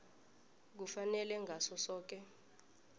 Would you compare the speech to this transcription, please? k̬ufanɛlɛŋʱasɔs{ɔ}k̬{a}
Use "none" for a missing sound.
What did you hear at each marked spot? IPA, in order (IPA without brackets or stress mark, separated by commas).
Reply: ɔː, ɛ